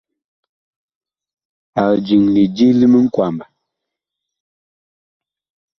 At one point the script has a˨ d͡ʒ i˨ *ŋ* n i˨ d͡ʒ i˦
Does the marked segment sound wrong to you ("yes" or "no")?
no